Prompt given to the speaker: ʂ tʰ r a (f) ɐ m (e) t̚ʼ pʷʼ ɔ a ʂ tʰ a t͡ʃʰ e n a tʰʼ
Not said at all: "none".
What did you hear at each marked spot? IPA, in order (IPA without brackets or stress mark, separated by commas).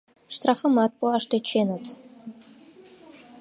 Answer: f, a